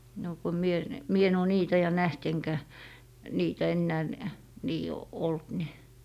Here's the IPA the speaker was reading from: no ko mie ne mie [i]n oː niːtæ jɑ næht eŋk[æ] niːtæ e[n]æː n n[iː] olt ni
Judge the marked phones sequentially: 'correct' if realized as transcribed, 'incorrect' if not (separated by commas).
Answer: incorrect, correct, incorrect, correct